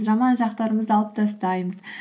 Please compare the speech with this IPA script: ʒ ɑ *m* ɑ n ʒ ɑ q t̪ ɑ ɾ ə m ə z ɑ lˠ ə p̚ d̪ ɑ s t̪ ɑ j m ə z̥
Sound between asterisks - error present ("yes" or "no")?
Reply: no